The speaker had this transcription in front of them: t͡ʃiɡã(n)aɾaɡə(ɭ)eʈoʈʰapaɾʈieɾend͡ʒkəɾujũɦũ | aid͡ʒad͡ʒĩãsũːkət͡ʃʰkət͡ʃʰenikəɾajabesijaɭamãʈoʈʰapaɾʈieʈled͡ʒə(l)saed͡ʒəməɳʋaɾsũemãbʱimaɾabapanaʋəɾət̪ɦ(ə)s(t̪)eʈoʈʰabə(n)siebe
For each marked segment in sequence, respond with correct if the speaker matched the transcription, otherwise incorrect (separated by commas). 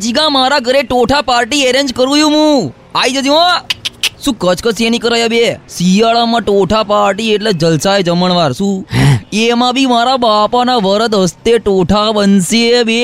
incorrect, incorrect, correct, correct, correct, correct